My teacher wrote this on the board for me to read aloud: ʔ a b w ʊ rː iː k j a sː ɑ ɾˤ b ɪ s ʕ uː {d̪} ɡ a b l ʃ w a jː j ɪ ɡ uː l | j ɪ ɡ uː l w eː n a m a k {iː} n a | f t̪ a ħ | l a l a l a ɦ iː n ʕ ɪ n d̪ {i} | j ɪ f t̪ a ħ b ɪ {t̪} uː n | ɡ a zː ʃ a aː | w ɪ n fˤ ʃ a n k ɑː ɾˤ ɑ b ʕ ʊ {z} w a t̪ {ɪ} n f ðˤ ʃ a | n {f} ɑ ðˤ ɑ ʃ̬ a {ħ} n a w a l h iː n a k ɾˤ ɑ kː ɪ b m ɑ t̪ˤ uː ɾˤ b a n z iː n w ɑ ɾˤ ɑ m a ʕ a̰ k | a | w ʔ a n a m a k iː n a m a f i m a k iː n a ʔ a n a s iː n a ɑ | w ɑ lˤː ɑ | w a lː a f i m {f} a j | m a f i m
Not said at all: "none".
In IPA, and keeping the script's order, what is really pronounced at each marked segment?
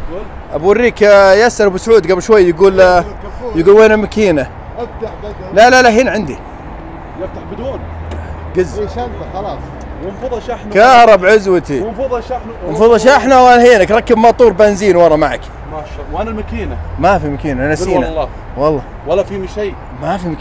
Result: d̪, iː, i, d̪, z, i, f, ħ, ʃ

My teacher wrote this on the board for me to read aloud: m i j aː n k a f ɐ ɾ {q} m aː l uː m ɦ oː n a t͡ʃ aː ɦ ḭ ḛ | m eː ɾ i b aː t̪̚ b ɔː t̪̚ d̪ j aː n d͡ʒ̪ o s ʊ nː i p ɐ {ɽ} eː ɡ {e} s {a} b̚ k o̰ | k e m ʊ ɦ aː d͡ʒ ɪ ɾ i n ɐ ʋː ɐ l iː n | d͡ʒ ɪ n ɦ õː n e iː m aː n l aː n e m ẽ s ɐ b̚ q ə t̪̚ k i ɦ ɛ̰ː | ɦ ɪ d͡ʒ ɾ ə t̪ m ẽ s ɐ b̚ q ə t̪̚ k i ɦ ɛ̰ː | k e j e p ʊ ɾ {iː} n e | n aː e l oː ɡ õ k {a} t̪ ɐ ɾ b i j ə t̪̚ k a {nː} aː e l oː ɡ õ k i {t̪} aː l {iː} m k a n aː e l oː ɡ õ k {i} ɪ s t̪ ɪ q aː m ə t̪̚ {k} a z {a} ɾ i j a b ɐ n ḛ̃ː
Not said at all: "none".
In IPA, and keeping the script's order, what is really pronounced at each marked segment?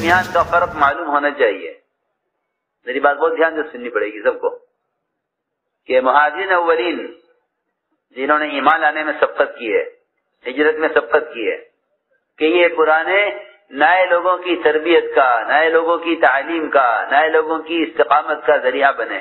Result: q, ɽ, i, ɐ, aː, i, n, t̪, iː, i, k, ɐ

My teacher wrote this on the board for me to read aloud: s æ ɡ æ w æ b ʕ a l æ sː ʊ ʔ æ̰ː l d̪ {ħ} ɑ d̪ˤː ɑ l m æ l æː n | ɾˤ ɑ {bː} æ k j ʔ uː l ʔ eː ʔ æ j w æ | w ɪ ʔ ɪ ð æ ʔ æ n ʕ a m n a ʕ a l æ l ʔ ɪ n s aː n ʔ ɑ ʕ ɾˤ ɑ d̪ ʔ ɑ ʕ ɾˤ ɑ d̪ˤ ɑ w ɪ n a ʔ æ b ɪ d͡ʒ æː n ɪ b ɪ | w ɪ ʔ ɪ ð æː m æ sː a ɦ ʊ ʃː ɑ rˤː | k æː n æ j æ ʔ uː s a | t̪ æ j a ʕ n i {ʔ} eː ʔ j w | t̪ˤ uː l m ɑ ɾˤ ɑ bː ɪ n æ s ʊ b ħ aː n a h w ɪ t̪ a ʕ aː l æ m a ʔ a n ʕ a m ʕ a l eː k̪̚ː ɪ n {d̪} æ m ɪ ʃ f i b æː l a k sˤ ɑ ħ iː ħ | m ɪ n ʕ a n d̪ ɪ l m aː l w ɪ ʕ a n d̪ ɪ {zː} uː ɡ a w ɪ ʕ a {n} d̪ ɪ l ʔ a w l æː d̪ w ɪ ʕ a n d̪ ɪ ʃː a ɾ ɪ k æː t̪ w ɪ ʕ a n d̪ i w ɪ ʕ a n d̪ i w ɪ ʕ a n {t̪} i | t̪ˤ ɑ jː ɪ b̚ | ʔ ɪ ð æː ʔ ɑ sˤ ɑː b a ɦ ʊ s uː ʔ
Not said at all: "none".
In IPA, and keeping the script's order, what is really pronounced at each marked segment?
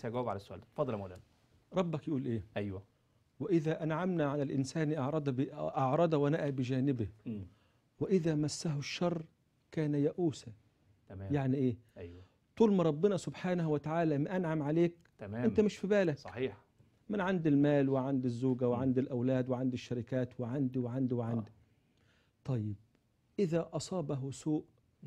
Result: f, bː, ʔ, t̪, zː, n, d̪

